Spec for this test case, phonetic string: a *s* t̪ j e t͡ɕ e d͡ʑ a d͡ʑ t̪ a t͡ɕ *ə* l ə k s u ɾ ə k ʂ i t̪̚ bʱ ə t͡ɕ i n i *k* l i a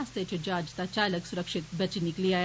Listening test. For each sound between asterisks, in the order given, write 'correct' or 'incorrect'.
correct, incorrect: a, correct

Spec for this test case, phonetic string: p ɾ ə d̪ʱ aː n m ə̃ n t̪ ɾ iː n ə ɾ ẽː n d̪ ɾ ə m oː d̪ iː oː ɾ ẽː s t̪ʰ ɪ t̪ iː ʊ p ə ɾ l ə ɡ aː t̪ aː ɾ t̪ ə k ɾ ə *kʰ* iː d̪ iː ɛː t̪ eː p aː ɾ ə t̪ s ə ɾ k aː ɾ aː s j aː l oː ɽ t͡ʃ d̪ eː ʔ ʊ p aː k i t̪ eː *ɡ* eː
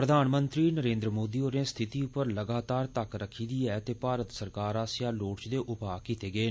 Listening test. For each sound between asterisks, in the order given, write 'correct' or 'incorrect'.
correct, correct

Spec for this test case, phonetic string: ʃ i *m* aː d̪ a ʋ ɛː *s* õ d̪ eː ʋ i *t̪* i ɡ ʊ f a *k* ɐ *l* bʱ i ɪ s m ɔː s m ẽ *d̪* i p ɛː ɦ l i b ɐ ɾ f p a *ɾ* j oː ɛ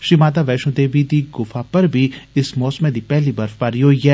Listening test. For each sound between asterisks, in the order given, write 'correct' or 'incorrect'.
correct, incorrect: ʃ, incorrect: d̪, incorrect: p, incorrect: ɾ, correct, correct

